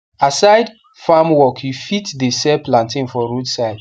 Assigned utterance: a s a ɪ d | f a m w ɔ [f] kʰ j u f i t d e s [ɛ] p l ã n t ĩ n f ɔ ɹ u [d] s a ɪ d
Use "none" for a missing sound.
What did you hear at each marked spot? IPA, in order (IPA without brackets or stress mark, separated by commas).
none, ɛ, d